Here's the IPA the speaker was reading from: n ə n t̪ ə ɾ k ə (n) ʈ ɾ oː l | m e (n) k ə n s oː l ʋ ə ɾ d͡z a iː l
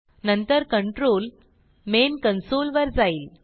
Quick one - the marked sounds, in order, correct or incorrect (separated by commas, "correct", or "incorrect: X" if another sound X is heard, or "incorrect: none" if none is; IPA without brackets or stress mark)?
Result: incorrect: ɳ, correct